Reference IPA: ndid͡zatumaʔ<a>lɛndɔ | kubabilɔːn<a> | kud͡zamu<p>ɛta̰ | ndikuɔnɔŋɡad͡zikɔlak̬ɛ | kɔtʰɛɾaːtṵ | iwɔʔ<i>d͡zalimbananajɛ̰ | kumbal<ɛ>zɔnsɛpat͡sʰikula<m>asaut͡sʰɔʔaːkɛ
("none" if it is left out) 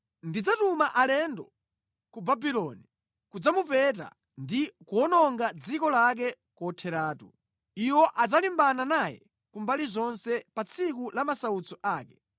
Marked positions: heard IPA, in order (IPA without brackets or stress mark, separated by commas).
a, i, p, a, i, m